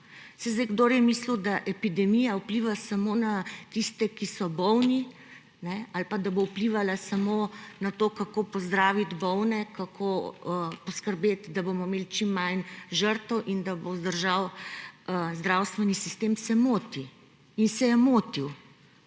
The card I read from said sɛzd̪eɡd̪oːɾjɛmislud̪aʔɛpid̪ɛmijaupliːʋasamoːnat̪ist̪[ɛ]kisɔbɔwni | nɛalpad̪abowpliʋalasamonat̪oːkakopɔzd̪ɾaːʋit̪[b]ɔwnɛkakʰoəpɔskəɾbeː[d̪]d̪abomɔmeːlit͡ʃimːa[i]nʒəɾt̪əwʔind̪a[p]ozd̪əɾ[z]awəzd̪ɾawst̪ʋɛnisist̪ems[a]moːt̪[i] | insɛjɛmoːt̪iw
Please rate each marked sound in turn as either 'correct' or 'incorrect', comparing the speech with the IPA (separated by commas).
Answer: correct, correct, incorrect, incorrect, incorrect, incorrect, incorrect, correct